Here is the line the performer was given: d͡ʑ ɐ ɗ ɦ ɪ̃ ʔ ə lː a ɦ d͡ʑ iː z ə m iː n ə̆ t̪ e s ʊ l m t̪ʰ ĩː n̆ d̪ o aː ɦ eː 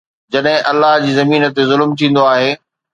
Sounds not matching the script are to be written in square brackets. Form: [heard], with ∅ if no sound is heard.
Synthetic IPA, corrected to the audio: d͡ʑ ɐ ɗ ɦ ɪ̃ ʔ [ɐ] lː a ɦ d͡ʑ iː z [ɐ] m iː n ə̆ t̪ e [z] ʊ l m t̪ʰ ĩː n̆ d̪ o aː ɦ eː